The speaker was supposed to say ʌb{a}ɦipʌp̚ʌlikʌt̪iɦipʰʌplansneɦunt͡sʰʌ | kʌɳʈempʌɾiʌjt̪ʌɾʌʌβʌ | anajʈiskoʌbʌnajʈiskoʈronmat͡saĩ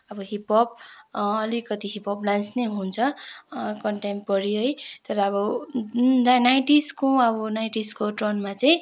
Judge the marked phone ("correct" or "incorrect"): incorrect